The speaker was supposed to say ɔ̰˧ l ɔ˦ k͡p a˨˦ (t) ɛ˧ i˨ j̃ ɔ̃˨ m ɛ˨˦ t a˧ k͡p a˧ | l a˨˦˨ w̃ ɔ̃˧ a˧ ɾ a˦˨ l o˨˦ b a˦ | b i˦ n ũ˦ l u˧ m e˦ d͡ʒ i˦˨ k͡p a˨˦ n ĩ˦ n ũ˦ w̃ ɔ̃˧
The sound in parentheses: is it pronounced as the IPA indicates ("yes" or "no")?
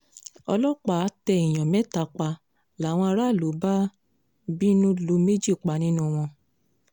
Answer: yes